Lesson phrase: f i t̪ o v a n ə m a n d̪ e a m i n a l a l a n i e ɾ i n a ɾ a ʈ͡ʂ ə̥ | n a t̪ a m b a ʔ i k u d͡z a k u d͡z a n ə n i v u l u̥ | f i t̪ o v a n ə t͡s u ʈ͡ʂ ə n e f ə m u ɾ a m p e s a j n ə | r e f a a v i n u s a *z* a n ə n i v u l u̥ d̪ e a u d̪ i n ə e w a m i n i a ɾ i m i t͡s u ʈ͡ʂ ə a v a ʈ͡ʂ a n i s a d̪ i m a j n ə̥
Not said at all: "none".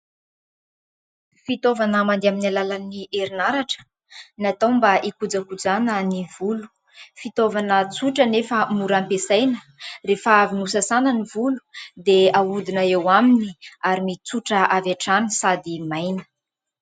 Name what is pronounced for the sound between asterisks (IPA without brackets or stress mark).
s